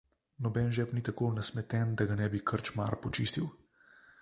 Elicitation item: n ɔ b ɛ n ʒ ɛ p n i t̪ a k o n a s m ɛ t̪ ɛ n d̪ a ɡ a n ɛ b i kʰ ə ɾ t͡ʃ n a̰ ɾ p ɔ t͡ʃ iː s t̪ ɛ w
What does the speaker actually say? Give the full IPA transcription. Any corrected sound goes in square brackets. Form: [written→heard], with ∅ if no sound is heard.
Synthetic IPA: n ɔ b ɛ n ʒ ɛ p n i t̪ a k o n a s m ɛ t̪ ɛ n d̪ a ɡ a n ɛ b i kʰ ə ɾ t͡ʃ [n→m] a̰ ɾ p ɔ t͡ʃ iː s t̪ [ɛ→i] w

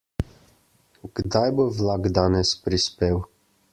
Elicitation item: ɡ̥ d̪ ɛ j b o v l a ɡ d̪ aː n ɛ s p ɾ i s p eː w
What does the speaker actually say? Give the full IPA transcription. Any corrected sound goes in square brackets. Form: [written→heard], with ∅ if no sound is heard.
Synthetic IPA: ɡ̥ d̪ [ɛ→a] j b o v l a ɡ d̪ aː n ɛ s p ɾ i s p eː w

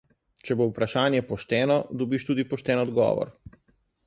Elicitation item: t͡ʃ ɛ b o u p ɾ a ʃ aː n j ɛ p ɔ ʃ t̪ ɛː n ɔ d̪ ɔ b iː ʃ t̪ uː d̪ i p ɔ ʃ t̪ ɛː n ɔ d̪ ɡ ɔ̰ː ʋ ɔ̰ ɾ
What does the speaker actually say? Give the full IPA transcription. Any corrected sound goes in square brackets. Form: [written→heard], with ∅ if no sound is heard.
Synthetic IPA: t͡ʃ ɛ b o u p ɾ a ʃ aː n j ɛ p ɔ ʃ t̪ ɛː n ɔ d̪ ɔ b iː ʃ t̪ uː d̪ i p ɔ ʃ t̪ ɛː n ɔ d̪ ɡ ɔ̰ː ʋ ɔ̰ ɾ

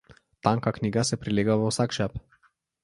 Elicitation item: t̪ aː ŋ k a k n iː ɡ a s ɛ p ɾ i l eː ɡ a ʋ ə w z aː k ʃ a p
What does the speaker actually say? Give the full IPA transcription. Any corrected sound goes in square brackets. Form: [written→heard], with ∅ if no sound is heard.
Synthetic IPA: t̪ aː ŋ k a k n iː ɡ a s ɛ p ɾ i l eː ɡ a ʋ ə w [z→s] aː k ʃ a p

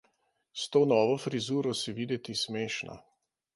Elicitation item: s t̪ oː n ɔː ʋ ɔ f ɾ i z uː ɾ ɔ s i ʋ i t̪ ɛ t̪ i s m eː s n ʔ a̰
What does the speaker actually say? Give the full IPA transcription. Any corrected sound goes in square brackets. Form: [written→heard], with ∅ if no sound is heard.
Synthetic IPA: s t̪ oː n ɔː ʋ ɔ f ɾ i z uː ɾ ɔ s i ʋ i [t̪→d̪] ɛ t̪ i s m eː [s→ʃ] n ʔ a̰

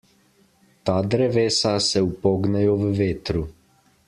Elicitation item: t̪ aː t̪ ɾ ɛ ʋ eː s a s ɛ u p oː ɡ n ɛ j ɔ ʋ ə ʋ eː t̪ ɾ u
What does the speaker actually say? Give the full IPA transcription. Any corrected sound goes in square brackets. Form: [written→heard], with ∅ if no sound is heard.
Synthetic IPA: t̪ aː [t̪→d̪] ɾ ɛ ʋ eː s a s ɛ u p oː ɡ n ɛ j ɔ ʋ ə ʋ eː t̪ ɾ u

